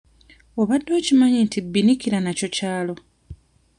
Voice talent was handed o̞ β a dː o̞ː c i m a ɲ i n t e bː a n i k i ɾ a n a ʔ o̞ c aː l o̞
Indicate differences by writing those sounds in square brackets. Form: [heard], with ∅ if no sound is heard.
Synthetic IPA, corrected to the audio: o̞ β a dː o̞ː c i m a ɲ i n t [i] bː [i] n i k i ɾ a n a [c] o̞ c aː l o̞